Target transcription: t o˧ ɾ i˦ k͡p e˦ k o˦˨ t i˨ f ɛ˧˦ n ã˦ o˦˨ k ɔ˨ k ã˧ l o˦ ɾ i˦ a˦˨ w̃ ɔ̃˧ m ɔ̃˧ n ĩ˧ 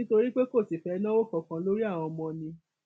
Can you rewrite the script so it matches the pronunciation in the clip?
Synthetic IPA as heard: t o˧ ɾ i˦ k͡p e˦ k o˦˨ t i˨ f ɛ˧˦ n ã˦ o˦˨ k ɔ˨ k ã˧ l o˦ ɾ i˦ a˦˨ w̃ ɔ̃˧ m ɔ̃˧ n ĩ˧

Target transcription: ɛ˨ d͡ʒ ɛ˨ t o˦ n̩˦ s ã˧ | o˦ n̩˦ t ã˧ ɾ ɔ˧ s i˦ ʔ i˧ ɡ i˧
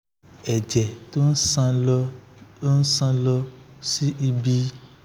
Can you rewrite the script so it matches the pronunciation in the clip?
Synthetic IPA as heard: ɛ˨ d͡ʒ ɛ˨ t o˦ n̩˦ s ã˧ | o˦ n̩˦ s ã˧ l ɔ˧ s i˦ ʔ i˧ b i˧

